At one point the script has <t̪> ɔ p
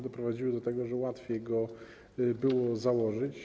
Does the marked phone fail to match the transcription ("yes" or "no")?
yes